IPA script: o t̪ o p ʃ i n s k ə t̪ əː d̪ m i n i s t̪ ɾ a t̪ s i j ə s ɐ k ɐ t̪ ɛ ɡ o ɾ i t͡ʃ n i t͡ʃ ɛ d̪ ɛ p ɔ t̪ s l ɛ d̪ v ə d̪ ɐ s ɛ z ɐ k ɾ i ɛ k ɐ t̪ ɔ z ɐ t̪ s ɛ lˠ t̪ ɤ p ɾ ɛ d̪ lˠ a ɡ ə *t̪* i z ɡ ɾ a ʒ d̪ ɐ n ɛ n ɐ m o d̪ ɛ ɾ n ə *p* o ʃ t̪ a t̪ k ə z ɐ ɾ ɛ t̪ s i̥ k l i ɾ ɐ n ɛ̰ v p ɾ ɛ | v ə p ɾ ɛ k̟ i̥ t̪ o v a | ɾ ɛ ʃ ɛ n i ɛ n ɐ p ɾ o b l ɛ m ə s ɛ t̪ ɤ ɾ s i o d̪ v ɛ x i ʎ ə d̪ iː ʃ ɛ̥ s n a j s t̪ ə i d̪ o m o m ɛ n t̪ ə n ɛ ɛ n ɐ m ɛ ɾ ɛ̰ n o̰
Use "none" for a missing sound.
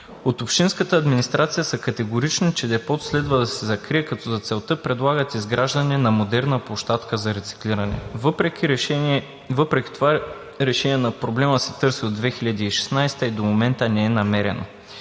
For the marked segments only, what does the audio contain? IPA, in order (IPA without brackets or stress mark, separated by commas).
t̪, p